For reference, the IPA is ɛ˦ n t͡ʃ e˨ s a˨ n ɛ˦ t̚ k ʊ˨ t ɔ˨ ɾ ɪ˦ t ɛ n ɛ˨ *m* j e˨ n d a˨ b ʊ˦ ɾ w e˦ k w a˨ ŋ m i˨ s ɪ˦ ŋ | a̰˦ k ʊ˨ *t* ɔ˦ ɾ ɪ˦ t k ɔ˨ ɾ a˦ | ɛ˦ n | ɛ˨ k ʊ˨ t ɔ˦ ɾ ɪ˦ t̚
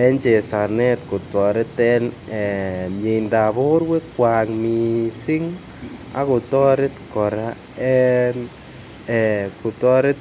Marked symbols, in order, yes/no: yes, yes

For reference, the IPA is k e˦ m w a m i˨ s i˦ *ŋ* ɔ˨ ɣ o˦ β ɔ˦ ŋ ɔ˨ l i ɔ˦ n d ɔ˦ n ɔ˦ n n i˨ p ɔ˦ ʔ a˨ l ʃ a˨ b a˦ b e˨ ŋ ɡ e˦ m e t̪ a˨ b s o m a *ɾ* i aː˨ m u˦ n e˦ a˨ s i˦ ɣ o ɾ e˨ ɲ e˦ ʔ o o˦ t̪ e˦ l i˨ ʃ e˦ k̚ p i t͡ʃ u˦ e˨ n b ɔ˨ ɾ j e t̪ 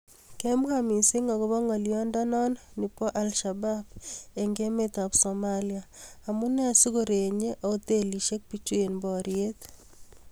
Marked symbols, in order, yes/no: yes, no

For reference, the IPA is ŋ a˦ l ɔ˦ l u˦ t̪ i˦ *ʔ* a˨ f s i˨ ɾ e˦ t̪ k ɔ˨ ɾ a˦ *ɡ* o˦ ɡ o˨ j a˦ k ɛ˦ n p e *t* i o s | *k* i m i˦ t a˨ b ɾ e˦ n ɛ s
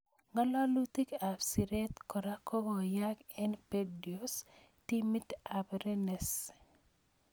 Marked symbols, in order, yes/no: no, no, no, no

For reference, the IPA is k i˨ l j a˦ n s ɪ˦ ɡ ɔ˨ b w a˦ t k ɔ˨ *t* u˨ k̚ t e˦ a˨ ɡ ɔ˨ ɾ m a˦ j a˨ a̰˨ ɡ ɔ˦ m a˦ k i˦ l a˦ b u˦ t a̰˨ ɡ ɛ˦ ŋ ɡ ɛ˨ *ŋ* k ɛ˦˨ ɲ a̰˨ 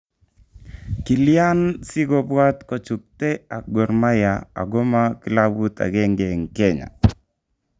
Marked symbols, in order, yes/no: no, yes

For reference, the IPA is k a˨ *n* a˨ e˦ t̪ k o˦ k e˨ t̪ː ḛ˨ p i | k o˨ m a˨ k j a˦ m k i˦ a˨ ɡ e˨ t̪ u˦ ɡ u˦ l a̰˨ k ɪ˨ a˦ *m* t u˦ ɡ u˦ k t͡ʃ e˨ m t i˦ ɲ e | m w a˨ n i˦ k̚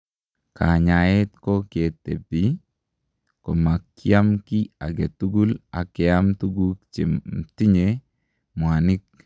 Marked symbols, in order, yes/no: no, yes

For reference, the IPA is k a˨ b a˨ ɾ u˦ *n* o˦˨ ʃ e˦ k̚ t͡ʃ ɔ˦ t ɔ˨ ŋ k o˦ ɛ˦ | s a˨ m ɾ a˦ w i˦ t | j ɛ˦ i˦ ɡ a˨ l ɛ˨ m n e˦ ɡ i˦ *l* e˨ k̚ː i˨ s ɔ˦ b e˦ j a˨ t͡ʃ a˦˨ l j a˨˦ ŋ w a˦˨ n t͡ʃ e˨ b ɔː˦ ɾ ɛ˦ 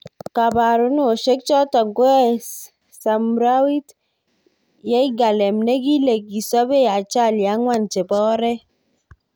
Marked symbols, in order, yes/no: yes, yes

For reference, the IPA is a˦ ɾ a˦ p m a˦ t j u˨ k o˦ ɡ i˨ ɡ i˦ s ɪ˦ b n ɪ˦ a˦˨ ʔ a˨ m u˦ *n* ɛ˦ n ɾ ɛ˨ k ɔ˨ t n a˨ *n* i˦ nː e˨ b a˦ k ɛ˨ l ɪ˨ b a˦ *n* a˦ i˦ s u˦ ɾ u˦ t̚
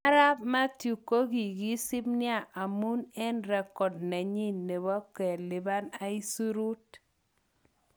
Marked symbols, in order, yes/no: yes, no, yes

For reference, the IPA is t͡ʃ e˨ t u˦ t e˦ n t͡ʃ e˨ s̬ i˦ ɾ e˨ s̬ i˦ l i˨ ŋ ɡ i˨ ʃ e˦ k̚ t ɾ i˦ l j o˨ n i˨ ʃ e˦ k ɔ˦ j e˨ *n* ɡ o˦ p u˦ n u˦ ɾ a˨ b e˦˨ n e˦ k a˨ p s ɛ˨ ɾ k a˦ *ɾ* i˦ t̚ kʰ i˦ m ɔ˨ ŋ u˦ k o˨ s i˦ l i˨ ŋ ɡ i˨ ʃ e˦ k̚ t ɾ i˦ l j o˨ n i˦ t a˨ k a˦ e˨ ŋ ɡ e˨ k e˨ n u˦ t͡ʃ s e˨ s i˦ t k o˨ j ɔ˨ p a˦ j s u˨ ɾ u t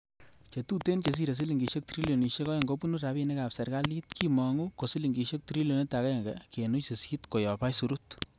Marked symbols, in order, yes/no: no, no

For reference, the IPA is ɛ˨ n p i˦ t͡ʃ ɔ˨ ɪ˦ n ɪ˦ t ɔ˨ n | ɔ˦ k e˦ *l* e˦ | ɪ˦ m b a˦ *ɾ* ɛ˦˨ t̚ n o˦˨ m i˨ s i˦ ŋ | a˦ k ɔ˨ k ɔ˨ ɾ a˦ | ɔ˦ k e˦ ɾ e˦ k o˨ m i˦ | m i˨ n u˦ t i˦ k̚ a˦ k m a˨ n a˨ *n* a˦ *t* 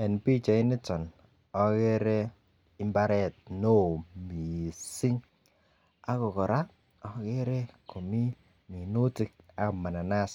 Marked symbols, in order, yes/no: no, yes, yes, no

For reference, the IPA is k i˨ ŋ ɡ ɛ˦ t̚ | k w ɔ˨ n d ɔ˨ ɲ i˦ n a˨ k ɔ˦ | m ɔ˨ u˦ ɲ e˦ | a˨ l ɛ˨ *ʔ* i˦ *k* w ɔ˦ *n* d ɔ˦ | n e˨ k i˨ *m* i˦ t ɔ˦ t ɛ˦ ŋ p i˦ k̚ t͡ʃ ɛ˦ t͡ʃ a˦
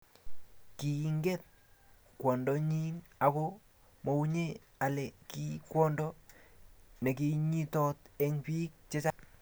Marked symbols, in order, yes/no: no, yes, yes, no

